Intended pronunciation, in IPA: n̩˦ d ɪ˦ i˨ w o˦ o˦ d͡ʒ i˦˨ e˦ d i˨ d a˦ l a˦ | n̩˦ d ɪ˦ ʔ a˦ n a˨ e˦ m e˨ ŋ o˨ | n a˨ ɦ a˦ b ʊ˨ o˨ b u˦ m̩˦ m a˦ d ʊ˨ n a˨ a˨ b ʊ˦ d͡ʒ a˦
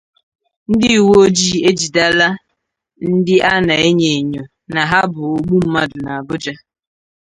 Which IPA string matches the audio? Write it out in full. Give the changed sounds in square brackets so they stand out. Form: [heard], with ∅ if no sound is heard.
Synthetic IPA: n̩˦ d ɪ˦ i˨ w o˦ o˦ d͡ʒ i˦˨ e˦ [d͡ʒ] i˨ d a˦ l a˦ | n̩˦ d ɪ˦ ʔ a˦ n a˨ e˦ [ɲ] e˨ [ɲ] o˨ | n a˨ ɦ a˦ b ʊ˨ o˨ [ɡ͡b] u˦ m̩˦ m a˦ d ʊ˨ n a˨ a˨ b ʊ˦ d͡ʒ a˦